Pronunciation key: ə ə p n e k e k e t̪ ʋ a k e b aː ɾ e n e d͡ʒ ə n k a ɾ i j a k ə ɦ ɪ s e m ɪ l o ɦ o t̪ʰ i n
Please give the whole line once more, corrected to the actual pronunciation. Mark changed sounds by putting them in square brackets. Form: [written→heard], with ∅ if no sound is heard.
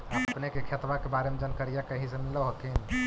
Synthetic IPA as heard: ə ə p n e k e [k→kʰ] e t̪ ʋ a k e b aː ɾ e [n→m] e d͡ʒ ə n k [a→ə] ɾ i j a k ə ɦ [ɪ→i] s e m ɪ l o ɦ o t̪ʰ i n